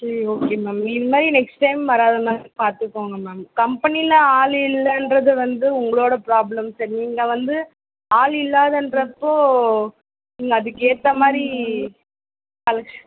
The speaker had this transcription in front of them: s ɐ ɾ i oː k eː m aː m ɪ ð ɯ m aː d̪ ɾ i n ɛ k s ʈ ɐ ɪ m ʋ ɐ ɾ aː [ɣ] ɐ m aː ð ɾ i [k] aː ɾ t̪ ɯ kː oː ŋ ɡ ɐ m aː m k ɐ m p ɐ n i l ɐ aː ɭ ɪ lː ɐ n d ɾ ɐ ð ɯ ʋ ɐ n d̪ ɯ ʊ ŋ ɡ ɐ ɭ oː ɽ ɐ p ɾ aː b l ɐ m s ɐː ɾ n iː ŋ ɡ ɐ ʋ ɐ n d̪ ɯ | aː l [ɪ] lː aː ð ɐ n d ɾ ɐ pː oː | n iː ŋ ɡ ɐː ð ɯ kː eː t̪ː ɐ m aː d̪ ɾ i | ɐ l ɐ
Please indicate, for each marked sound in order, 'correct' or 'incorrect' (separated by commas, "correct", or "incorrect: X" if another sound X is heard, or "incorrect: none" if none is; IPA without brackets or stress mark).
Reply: incorrect: ð, incorrect: p, correct